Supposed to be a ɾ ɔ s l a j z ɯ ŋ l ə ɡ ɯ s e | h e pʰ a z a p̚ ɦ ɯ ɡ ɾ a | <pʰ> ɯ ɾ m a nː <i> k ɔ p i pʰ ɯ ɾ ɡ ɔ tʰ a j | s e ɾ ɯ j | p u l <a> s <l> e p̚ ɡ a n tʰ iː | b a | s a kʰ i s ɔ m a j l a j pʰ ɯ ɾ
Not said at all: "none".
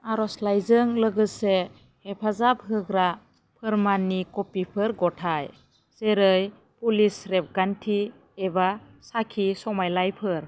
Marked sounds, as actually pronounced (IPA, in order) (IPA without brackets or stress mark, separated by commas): pʰ, i, i, ɾ